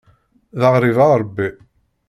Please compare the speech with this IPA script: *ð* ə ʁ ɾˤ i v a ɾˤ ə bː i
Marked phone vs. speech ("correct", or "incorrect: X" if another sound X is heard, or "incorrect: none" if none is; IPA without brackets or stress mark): correct